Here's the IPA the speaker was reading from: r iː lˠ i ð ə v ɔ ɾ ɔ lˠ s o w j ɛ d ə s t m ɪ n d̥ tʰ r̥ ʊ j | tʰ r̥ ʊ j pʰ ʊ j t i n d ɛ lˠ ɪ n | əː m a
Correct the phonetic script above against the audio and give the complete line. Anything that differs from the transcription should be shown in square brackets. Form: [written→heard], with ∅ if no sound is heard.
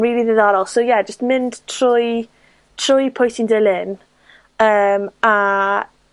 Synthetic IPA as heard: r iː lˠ i ð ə [v→ð] ɔ ɾ ɔ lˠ s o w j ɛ [d→d͡ʒ] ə s t m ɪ n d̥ tʰ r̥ ʊ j | tʰ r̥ ʊ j pʰ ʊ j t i n d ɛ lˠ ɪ n | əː m a

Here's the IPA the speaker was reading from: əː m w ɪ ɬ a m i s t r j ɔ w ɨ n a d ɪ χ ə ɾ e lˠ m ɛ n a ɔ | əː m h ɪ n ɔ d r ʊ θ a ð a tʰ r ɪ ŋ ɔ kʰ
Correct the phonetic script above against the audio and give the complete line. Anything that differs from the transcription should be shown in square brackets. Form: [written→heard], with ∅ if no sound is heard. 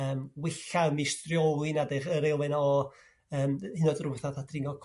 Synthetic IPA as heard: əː m w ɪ ɬ a m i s t r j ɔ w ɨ n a d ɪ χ ə ɾ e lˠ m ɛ n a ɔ | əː m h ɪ n ɔ d r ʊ θ a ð a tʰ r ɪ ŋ ɔ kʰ

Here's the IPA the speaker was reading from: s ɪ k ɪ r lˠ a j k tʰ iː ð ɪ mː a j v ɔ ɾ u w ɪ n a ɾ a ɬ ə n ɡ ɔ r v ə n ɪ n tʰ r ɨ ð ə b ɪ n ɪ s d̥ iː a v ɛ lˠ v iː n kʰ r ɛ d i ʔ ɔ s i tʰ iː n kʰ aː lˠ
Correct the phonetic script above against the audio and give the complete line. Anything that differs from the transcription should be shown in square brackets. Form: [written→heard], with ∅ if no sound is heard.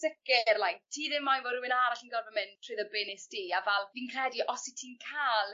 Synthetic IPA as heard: s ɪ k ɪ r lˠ a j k tʰ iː ð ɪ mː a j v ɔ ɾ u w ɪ n a ɾ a ɬ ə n ɡ ɔ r v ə [n→m] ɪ n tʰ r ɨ ð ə b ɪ n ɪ s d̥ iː a v ɛ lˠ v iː n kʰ r ɛ d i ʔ ɔ s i tʰ iː n kʰ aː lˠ

